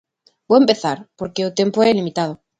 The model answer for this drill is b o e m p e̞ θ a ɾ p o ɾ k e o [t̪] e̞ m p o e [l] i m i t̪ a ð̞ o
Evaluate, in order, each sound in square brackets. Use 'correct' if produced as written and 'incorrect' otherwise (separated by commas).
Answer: correct, correct